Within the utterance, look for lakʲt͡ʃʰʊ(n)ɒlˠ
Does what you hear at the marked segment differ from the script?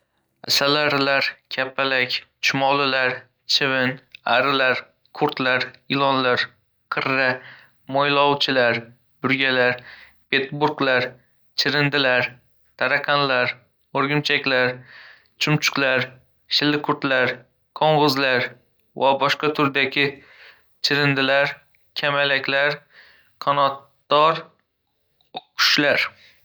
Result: yes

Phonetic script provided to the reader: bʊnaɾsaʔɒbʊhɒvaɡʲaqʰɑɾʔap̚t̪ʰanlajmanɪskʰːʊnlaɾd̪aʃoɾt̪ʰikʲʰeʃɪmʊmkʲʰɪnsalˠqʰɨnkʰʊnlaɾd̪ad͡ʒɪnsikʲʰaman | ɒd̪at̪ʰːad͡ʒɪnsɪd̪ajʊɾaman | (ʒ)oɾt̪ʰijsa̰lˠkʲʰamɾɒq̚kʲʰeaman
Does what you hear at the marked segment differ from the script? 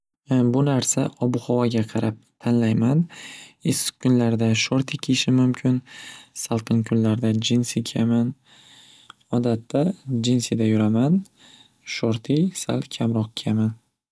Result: yes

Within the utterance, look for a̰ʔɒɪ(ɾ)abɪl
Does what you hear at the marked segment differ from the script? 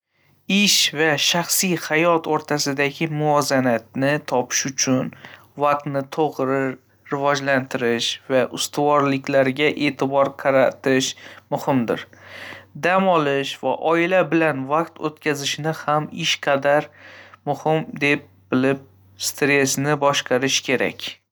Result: yes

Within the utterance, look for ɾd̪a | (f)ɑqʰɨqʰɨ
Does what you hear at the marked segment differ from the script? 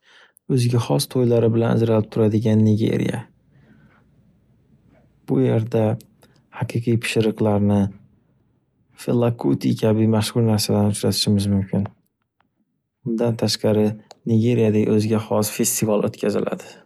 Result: yes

